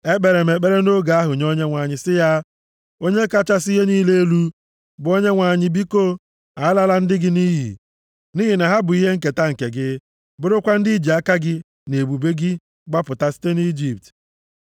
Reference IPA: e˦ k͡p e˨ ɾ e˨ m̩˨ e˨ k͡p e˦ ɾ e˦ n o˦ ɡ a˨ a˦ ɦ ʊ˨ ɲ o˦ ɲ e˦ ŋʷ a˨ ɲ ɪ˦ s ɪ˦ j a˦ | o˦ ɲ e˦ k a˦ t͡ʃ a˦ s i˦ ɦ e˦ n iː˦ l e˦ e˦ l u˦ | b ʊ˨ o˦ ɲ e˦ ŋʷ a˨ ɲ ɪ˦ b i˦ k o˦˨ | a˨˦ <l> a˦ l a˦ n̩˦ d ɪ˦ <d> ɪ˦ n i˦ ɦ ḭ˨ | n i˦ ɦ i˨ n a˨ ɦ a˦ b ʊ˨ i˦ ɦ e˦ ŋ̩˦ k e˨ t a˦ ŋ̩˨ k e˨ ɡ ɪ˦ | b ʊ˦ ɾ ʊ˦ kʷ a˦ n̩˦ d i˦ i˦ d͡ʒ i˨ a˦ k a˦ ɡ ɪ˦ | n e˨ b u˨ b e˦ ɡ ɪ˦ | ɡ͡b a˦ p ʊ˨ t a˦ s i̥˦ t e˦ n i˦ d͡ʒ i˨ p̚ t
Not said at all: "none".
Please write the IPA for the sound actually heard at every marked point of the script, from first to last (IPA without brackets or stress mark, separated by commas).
l, ɡ